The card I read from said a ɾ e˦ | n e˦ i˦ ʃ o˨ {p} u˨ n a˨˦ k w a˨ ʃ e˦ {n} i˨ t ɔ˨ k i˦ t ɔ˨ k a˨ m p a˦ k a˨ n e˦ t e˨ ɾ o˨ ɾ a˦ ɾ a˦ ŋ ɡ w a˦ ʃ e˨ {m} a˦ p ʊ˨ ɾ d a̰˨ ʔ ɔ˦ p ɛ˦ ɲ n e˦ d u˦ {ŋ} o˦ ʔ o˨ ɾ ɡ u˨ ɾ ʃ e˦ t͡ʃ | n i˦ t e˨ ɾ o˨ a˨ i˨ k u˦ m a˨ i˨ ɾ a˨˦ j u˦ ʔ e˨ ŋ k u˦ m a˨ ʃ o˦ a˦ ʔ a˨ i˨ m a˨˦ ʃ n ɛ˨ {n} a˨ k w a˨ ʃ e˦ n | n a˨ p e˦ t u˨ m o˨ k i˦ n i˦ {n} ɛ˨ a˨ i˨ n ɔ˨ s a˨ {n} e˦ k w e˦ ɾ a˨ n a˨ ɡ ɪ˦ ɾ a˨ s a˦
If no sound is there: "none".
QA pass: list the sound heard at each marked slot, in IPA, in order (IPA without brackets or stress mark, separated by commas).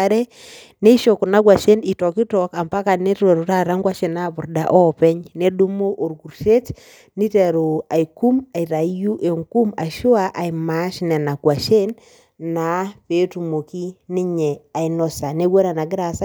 k, n, n, m, n, ɲ, n